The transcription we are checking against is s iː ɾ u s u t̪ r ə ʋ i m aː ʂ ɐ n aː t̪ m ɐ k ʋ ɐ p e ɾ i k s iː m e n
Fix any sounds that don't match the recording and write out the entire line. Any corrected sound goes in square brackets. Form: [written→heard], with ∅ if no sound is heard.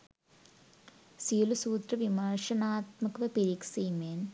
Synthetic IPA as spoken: s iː [ɾ→l] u s [u→uː] t̪ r [ə→ɐ] ʋ i m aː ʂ ɐ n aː t̪ m ɐ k ʋ ɐ p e ɾ i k s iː m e n

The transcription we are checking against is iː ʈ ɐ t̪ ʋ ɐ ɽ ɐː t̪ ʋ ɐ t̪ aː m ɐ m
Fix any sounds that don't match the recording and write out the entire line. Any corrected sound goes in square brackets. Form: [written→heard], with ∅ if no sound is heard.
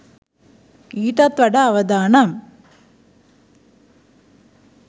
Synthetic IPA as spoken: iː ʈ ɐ t̪ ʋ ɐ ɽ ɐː [t̪→∅] ʋ ɐ [t̪→d̪] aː [m→n] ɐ m

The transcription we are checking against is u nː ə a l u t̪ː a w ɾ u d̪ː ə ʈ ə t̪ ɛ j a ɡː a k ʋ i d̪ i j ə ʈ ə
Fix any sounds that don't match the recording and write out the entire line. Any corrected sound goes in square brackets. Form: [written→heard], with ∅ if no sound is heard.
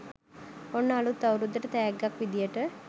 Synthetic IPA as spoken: [u→o] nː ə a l u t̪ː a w ɾ u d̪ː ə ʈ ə t̪ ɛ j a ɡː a k ʋ i d̪ i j ə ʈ ə

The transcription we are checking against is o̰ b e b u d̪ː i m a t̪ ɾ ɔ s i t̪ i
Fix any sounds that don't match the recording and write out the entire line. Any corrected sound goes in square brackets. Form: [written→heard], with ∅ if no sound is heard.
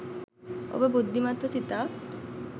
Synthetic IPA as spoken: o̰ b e b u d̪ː i m a t̪ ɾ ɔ s i t̪ [i→a]

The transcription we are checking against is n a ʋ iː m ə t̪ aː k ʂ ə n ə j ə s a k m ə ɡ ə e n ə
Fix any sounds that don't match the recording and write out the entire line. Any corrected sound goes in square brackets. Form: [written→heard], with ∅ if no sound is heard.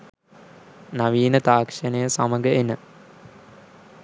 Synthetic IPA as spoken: n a ʋ iː [m→n] ə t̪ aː k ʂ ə n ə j ə s a [k→∅] m ə ɡ ə e n ə

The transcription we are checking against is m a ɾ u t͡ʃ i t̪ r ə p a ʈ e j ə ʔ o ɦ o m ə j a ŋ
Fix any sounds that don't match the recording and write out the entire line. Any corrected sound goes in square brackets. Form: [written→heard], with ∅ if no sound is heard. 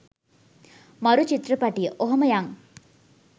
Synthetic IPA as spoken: m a ɾ u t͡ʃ i t̪ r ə p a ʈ [e→i] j ə ʔ o ɦ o m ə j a ŋ

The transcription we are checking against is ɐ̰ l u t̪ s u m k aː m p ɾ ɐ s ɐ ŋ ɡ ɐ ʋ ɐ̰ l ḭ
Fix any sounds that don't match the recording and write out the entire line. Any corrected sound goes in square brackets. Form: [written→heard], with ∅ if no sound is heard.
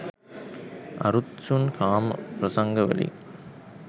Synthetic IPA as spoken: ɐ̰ [l→ɾ] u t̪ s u [m→n] k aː m p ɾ ɐ s ɐ ŋ ɡ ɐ ʋ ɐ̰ l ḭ

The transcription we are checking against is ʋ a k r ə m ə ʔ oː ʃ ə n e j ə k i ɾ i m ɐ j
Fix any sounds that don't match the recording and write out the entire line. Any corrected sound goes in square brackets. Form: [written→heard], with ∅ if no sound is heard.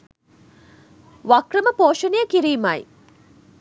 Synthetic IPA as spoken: ʋ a k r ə m ə [ʔ→p] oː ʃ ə n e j ə k i ɾ [i→iː] m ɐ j

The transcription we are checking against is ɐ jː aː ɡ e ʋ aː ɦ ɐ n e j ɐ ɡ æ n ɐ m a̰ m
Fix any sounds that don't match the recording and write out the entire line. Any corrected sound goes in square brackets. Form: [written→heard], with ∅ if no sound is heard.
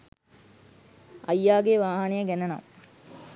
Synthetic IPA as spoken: ɐ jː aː ɡ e ʋ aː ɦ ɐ n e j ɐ ɡ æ n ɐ [m→n] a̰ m

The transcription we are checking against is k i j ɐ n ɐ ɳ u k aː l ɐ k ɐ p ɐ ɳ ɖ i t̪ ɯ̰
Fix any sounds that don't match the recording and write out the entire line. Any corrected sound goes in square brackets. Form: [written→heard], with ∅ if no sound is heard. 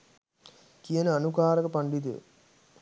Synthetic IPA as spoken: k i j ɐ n ɐ [ɳ→n] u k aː [l→ɾ] ɐ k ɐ p ɐ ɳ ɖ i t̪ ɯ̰

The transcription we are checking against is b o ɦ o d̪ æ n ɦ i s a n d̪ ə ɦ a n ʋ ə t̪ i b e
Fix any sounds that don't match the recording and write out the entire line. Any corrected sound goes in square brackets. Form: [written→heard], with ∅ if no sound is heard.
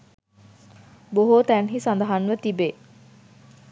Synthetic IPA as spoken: b o ɦ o [d̪→t̪] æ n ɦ i s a n d̪ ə ɦ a n ʋ ə t̪ i b e

